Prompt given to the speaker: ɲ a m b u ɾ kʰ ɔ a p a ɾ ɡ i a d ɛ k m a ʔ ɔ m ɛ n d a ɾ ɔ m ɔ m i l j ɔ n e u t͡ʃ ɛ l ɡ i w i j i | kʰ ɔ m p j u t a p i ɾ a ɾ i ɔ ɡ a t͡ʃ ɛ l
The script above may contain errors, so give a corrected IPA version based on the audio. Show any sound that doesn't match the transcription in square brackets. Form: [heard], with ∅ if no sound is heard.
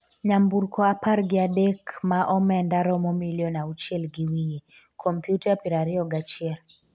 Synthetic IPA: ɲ a m b u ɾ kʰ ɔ a p a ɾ ɡ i a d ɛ k m a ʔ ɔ m ɛ n d a ɾ ɔ m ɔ m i l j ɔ n [a] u t͡ʃ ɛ l ɡ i w i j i | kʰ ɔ m p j u t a p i ɾ a ɾ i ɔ ɡ a t͡ʃ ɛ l